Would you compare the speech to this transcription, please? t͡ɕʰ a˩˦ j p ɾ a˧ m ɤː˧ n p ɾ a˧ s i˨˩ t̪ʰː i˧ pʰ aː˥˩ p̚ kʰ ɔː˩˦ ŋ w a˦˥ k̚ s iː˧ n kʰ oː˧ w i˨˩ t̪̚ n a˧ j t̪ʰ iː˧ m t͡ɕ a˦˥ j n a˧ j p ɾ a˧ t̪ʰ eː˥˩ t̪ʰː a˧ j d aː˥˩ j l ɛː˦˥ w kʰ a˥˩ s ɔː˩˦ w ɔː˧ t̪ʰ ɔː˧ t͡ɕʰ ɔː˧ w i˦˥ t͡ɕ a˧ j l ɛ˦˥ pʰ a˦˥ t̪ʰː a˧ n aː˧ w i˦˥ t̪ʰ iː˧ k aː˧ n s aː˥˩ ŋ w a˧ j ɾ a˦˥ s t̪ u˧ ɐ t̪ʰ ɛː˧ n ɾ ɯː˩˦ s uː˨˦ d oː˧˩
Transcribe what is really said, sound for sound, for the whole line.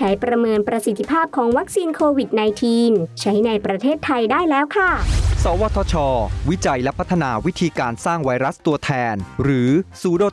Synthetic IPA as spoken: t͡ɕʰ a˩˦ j p ɾ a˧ m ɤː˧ n p ɾ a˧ s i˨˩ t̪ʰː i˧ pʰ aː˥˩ p̚ kʰ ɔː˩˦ ŋ w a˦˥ k̚ s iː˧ n kʰ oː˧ w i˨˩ t̪̚ n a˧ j t̪ʰ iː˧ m t͡ɕʰ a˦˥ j n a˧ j p ɾ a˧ t̪ʰ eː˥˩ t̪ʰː a˧ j d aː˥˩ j l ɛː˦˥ w kʰ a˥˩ s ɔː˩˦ w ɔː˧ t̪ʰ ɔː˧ t͡ɕʰ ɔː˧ w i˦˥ t͡ɕ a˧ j l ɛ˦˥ pʰ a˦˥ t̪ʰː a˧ n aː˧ w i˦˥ t̪ʰ iː˧ k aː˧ n s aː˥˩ ŋ w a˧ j ɾ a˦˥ s t̪ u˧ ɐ t̪ʰ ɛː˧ n ɾ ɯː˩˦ s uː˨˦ d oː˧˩

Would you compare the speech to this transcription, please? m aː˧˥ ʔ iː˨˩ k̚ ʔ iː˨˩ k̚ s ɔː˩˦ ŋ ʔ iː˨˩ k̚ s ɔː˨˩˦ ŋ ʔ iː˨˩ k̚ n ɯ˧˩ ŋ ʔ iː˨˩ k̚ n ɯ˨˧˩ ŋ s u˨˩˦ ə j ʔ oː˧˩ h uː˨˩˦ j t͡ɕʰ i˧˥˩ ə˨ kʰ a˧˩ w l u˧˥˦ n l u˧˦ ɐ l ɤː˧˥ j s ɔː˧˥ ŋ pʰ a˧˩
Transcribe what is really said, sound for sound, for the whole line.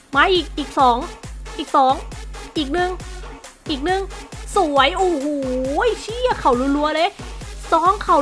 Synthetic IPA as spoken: m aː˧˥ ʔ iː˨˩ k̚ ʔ iː˨˩ k̚ s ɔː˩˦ ŋ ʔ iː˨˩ k̚ s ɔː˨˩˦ ŋ ʔ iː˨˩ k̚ n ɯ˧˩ ŋ ʔ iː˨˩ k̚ n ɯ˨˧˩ ŋ s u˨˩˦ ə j ʔ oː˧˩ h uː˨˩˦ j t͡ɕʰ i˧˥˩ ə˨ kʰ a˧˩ w l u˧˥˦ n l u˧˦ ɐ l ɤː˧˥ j s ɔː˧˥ ŋ kʰ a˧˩

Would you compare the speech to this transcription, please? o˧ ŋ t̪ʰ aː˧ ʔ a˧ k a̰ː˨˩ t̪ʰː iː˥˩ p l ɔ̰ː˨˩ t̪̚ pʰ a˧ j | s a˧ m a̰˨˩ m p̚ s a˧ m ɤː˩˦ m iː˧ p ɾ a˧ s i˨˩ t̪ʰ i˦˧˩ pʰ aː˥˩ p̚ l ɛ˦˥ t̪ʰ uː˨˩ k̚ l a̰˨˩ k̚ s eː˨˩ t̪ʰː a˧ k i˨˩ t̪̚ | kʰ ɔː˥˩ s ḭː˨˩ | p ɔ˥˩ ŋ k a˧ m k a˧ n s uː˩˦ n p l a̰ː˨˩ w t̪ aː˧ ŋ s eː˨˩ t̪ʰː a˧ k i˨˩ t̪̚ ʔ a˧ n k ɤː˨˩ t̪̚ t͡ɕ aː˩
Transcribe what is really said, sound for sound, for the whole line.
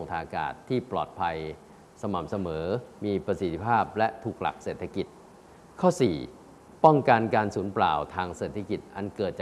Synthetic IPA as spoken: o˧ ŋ t̪ʰ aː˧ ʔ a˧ k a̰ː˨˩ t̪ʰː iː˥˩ p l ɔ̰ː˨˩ t̪̚ pʰ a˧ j | s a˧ m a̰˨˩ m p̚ s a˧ m ɤː˩˦ m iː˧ p ɾ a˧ s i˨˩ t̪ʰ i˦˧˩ pʰ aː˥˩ p̚ l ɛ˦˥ t̪ʰ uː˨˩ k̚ l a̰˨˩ k̚ s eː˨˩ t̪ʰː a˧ k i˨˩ t̪̚ | kʰ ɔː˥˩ s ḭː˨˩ | p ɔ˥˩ ŋ k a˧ n k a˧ n s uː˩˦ n p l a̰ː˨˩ w t̪ʰ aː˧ ŋ s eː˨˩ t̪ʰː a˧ k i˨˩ t̪̚ ʔ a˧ n k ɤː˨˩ t̪̚ t͡ɕ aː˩

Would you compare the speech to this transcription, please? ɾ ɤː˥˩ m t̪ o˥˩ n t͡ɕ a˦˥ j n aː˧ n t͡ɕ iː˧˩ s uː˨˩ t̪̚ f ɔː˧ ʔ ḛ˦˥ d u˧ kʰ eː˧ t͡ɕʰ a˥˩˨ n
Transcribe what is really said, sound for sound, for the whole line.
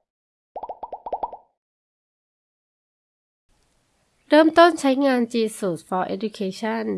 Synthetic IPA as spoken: ɾ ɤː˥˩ m t̪ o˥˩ n t͡ɕʰ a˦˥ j ŋ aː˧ n t͡ɕ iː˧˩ s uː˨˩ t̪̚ f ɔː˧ ʔ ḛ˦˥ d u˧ kʰ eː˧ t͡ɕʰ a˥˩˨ n

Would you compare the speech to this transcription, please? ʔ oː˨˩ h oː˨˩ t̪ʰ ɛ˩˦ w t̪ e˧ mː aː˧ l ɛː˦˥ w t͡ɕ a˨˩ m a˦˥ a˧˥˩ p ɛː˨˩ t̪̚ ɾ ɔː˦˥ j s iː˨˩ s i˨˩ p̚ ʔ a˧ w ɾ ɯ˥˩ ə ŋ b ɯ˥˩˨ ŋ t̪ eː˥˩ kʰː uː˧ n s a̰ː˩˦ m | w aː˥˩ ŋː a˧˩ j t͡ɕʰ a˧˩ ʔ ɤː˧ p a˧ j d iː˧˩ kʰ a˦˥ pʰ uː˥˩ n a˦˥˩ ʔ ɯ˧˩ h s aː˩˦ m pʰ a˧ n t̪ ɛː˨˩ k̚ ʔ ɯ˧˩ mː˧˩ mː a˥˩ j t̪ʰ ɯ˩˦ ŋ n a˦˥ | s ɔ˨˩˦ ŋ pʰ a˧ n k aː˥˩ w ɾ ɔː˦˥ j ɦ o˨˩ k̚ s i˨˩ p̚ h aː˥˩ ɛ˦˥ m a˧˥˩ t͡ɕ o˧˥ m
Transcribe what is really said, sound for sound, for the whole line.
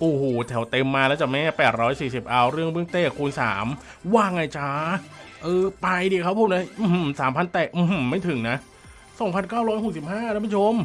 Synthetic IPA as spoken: ʔ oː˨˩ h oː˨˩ t̪ʰ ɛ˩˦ w t̪ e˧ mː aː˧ l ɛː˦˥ w t͡ɕ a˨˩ m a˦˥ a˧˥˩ p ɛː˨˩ t̪̚ ɾ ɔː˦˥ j s iː˨˩ s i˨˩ p̚ ʔ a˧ w ɾ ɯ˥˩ ə ŋ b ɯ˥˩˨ ŋ t̪ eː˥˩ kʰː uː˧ n s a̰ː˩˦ m | w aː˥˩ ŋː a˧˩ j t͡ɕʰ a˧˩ ʔ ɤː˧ p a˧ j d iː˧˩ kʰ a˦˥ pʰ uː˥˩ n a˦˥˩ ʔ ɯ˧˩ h s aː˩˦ m pʰ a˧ n t̪ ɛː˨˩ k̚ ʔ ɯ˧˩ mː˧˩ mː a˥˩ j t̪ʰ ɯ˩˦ ŋ n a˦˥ | s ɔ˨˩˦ ŋ pʰ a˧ n k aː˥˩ w ɾ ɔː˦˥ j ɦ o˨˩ k̚ s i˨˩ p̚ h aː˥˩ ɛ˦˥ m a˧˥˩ t͡ɕʰ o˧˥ m

